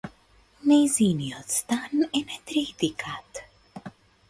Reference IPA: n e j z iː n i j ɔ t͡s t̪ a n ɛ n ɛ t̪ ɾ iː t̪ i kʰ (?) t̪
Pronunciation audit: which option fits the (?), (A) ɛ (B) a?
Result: B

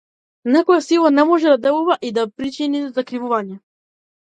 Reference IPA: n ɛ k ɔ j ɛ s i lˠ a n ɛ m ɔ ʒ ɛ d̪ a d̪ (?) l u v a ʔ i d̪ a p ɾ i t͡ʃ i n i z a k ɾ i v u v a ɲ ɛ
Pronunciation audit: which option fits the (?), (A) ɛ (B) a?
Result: A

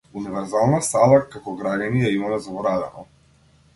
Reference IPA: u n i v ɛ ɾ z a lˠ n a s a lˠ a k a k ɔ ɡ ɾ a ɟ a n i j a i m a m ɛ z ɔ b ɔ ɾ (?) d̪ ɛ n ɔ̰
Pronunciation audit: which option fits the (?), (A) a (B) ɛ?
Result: A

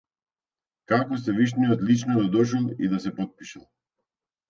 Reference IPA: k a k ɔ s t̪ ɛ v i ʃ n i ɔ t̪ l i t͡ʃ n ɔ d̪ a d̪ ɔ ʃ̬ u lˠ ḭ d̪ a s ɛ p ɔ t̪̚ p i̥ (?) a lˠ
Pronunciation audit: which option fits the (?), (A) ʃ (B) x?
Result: A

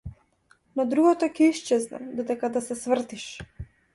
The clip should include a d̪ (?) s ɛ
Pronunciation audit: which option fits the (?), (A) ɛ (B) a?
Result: B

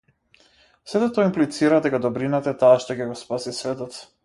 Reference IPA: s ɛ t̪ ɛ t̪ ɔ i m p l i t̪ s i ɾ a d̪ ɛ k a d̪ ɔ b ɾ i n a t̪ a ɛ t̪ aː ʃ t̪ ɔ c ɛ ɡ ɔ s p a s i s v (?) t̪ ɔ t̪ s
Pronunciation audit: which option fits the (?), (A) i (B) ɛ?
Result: B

